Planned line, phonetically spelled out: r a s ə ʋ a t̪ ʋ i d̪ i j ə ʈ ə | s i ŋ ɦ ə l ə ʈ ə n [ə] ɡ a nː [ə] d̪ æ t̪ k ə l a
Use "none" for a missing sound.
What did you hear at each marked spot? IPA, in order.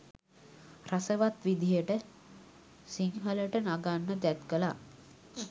a, ə

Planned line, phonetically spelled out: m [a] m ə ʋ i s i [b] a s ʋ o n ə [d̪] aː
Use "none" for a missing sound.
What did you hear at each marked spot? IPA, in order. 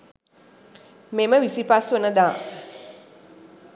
e, p, d̪

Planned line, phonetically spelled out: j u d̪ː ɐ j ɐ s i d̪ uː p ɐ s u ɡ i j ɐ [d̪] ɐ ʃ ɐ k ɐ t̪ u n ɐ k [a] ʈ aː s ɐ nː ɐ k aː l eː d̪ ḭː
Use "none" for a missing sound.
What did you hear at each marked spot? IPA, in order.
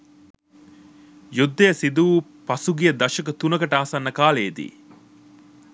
d̪, ɐ

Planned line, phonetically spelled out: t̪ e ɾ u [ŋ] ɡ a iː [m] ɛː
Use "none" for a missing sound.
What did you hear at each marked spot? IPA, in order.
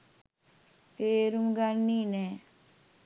m, n

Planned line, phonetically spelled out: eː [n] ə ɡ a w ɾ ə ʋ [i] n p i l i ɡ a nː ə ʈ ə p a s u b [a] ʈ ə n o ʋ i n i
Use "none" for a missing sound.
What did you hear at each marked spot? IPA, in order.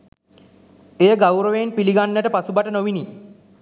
none, e, a

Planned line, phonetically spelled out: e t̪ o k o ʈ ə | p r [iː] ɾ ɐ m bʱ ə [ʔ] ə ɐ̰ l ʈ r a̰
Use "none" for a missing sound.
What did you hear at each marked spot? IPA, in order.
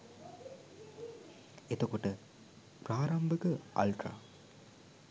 aː, k

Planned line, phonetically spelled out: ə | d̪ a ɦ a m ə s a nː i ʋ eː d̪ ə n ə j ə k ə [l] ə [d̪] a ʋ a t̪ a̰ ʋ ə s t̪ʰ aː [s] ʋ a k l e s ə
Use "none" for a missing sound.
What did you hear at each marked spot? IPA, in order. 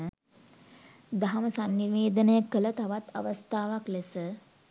l, t̪, none

